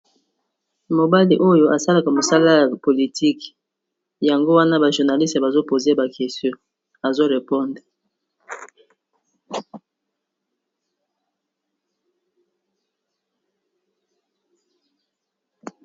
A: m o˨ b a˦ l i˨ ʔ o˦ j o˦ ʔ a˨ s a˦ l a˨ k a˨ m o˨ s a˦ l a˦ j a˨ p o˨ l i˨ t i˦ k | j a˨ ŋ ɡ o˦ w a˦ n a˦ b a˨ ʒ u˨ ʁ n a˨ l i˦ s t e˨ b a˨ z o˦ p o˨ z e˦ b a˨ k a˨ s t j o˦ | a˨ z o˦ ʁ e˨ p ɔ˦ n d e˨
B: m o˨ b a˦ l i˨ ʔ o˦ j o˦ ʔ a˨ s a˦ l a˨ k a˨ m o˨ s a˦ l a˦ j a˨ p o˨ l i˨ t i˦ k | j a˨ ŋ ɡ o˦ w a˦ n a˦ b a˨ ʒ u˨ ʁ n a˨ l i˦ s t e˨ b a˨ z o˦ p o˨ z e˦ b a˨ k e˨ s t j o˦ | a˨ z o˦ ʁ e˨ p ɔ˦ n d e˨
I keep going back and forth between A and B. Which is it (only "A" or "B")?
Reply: B